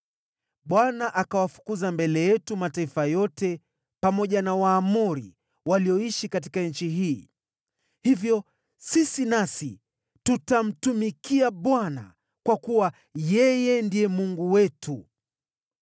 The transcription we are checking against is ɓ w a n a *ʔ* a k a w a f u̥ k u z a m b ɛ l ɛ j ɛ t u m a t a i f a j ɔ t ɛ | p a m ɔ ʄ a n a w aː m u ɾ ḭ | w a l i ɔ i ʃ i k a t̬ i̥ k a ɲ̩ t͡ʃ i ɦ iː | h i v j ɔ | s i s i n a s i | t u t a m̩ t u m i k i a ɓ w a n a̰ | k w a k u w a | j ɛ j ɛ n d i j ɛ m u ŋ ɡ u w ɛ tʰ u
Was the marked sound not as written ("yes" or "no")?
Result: no